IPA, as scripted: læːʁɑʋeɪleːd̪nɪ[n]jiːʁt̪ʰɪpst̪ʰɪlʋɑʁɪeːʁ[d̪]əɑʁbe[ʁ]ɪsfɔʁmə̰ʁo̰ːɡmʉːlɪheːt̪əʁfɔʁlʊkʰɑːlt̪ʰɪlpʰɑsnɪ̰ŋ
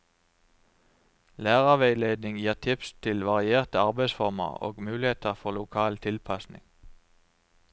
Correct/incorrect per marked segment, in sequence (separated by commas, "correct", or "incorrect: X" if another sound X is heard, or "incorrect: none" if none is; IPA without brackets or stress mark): incorrect: ŋ, incorrect: t̪, incorrect: none